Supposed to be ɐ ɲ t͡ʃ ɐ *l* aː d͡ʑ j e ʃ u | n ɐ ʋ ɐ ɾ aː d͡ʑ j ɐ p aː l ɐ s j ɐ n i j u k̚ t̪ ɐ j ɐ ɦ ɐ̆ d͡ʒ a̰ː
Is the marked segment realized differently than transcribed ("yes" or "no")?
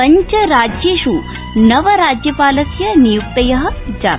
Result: yes